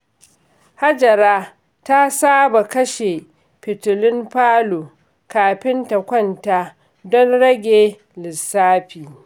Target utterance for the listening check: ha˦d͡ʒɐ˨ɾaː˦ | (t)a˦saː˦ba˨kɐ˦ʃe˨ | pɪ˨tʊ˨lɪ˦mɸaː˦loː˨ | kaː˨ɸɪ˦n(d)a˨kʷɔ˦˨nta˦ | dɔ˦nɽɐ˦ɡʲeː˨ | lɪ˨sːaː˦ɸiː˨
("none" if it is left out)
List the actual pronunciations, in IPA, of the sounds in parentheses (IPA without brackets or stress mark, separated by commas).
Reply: t, t